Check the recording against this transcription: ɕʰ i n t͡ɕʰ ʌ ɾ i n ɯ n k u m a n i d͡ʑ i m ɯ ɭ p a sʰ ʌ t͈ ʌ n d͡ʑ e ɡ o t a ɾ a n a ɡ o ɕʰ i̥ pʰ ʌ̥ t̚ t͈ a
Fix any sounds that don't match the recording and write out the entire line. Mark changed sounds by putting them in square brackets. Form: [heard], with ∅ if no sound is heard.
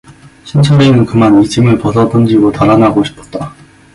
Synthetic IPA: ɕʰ i n t͡ɕʰ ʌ ɾ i n ɯ n k [ɯ] m a n i d͡ʑ i m ɯ ɭ p [ʌ] sʰ ʌ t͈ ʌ n d͡ʑ [i] ɡ o t a ɾ a n a ɡ o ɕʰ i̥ pʰ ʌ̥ t̚ t͈ a